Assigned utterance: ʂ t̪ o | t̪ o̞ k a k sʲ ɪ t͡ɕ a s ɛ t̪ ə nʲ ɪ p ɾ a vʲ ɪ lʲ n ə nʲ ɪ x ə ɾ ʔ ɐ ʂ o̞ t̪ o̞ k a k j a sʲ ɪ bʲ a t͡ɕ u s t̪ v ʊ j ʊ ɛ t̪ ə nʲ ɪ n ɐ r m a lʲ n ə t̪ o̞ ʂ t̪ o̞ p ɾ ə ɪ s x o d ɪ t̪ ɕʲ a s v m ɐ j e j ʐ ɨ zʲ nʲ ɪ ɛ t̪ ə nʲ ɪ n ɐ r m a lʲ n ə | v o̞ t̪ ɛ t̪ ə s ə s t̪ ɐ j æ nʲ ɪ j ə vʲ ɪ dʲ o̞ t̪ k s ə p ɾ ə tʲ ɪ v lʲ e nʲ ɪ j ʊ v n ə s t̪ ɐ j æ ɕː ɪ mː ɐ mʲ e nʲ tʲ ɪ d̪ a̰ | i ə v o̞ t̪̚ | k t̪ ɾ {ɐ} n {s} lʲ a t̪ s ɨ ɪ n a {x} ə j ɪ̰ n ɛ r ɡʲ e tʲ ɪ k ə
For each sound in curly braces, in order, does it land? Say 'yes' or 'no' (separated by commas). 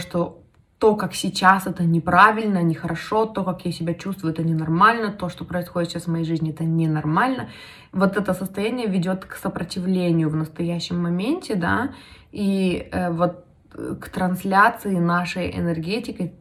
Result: yes, yes, no